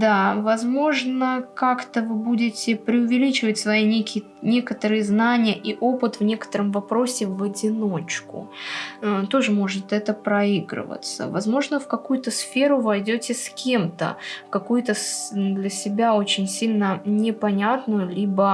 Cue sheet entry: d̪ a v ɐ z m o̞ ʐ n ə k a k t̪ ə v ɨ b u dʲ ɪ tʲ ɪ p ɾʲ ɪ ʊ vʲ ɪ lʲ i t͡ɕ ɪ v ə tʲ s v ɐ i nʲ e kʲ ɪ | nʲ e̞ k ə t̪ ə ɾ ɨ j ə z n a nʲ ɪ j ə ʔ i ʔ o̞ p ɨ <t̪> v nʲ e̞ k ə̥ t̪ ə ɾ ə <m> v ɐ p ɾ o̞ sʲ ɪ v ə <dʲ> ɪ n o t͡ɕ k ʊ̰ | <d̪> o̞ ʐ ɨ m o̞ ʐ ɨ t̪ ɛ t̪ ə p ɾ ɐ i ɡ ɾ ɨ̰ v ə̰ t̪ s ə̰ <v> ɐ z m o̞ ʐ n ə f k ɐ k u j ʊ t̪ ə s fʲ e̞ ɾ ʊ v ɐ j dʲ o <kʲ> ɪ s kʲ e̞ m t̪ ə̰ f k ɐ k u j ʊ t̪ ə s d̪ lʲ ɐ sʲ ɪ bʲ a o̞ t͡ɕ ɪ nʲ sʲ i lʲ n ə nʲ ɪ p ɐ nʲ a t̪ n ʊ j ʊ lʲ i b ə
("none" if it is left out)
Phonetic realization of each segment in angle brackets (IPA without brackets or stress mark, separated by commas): t̪, m, dʲ, t̪, v, tʲ